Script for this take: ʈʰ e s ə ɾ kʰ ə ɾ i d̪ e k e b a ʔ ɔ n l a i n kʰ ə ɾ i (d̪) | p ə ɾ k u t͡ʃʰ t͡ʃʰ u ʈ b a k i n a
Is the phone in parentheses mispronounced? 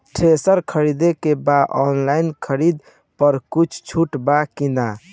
no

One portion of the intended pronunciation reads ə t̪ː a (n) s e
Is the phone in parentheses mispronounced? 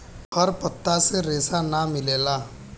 yes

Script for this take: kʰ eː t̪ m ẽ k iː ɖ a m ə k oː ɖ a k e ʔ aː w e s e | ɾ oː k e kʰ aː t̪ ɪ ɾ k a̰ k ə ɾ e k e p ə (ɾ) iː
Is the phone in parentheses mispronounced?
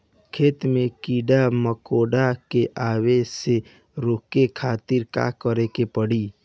yes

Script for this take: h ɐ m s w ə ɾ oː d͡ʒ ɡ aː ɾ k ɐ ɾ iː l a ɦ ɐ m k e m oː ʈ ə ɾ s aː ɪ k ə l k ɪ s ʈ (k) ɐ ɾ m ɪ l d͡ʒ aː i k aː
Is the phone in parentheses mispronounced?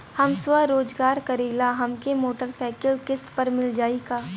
yes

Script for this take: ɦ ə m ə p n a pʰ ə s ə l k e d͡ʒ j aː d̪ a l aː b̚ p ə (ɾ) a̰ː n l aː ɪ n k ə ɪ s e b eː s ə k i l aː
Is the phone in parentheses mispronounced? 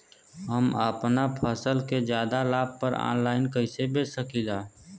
no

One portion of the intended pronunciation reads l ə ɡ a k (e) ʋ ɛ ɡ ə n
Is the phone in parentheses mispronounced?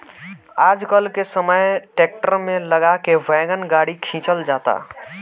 no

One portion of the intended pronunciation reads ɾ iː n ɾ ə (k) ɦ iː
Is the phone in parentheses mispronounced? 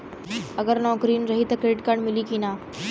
yes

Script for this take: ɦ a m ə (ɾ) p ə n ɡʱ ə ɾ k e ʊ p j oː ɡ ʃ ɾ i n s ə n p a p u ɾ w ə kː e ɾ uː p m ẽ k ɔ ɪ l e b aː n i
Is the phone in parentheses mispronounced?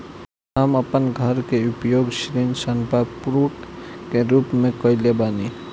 yes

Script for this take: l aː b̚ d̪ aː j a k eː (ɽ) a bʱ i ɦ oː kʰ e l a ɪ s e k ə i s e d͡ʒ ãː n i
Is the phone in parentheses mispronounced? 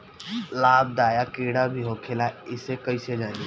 no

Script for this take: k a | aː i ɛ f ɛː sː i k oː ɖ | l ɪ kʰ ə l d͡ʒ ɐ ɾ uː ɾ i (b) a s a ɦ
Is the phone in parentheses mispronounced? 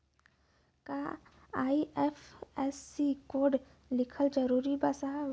no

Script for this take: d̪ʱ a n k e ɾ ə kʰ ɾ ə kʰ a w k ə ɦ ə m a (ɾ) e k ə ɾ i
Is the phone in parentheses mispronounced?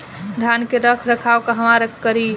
no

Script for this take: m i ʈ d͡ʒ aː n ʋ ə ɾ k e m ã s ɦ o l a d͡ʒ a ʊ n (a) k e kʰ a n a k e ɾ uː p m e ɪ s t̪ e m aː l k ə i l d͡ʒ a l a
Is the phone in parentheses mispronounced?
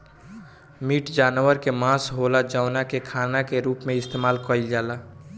no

